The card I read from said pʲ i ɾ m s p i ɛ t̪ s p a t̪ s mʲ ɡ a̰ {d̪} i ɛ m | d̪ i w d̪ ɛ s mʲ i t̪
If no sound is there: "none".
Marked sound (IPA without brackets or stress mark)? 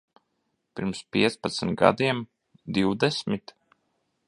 d̪